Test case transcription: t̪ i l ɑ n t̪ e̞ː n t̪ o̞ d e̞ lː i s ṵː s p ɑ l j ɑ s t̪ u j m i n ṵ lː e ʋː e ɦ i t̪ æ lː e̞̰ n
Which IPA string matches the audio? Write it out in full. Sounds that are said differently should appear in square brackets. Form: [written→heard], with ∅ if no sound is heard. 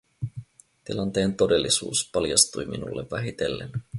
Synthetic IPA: t̪ i l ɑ n t̪ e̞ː n t̪ o̞ d e̞ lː i s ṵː s p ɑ l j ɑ s t̪ u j m i n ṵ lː e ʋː [e→æ] ɦ i t̪ [æ→e] lː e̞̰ n